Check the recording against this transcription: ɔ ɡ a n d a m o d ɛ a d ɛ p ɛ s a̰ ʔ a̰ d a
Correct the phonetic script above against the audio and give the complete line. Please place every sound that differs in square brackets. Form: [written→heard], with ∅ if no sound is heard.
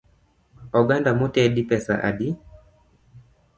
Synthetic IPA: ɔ ɡ a n d a m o [d→t] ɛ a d [ɛ→i] p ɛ s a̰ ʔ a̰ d [a→i]